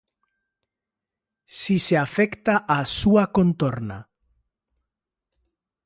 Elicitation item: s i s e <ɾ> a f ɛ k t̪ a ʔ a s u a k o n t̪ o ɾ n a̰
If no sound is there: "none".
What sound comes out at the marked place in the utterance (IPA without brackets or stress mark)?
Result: none